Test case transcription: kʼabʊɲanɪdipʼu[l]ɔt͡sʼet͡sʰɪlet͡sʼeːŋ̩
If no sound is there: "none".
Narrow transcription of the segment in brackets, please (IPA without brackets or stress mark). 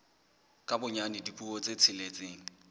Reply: none